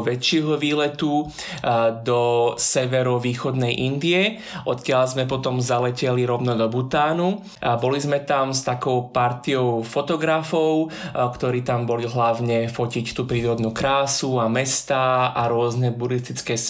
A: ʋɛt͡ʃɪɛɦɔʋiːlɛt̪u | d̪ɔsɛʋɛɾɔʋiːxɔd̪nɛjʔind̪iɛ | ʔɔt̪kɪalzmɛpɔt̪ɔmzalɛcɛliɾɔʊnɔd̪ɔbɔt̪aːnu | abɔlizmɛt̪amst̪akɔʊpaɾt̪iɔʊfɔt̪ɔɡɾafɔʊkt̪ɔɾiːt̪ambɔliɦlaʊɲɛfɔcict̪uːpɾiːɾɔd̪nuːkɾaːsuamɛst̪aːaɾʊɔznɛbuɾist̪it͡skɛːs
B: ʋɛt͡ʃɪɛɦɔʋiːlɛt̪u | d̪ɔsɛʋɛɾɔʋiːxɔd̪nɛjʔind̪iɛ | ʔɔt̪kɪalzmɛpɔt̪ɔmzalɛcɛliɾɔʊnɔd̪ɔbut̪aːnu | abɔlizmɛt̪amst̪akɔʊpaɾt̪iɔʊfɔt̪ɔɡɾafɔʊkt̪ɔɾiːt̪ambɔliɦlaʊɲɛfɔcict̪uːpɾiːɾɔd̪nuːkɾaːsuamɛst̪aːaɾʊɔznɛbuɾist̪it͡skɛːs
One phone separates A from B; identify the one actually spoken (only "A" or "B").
B